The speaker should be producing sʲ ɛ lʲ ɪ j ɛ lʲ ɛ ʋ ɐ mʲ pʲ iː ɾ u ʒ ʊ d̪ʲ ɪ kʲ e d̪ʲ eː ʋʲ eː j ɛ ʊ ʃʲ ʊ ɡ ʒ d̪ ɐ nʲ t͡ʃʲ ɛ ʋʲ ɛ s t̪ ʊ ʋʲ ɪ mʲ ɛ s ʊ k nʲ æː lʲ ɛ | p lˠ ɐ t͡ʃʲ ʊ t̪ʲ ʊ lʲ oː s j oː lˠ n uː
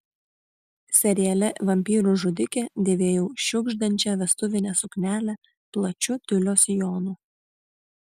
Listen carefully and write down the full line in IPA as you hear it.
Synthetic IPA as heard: sʲ ɛ ɾʲ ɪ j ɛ lʲ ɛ ʋ ɐ mʲ pʲ iː ɾ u ʒ ʊ d̪ʲ ɪ kʲ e d̪ʲ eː ʋʲ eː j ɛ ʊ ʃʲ ʊ ɡ ʒ d̪ ɐ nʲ t͡ʃʲ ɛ ʋʲ ɛ s t̪ ʊ ʋʲ ɪ nʲ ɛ s ʊ k nʲ æː lʲ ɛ | p lˠ ɐ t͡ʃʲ ʊ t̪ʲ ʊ lʲ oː s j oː n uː